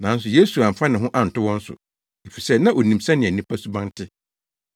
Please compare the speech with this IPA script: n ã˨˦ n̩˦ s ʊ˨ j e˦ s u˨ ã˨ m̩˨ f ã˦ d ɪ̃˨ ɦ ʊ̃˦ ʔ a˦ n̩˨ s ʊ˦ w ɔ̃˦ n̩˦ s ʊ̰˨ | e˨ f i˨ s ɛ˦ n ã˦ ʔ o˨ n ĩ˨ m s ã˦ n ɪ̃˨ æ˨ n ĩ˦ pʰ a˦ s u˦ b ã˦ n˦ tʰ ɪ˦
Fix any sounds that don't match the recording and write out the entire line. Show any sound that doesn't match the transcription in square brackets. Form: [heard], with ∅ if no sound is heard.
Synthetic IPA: n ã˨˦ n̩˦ s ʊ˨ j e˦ s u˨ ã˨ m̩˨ f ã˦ [n] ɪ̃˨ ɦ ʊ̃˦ ʔ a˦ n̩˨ [t] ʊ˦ w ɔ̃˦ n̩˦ s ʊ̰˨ | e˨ f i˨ s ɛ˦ n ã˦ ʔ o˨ n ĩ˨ m s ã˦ n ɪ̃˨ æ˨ n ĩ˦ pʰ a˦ s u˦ b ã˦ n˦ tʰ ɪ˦